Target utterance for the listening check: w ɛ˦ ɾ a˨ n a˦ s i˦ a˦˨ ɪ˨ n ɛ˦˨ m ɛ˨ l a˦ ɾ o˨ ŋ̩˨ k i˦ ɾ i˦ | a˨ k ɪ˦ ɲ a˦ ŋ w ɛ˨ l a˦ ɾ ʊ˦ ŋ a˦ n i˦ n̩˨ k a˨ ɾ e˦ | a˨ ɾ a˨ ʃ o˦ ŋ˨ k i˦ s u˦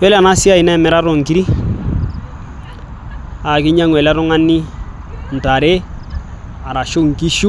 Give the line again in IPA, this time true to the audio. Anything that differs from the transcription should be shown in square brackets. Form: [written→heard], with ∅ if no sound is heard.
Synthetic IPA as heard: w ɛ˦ [ɾ→l] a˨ n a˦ s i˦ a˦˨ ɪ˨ n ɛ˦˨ m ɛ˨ [l→ɾ] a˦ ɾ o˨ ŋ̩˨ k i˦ ɾ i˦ | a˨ k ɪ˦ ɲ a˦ ŋ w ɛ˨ l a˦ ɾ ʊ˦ ŋ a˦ n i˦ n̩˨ [k→t] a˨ ɾ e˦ | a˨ ɾ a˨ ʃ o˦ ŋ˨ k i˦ [s→ʃ] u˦